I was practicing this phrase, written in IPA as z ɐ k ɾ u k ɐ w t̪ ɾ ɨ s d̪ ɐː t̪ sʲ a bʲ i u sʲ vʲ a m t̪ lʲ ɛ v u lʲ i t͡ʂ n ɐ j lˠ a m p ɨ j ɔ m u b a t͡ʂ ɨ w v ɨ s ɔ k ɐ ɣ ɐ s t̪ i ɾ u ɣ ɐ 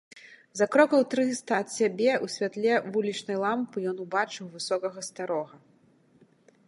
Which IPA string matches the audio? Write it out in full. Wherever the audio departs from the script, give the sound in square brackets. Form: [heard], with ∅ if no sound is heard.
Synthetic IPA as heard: z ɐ k ɾ [ɔ] k ɐ w t̪ ɾ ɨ s [t̪] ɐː t̪ sʲ a bʲ [ɛ] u sʲ vʲ a [∅] t̪ lʲ ɛ v u lʲ i t͡ʂ n ɐ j lˠ a m p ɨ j ɔ [n] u b a t͡ʂ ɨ w v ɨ s ɔ k ɐ ɣ ɐ s t̪ [a] ɾ [ɔ] ɣ ɐ